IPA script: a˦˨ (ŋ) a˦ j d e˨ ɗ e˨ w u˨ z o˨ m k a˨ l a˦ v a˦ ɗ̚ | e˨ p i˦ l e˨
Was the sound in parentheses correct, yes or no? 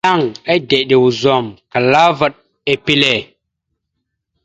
yes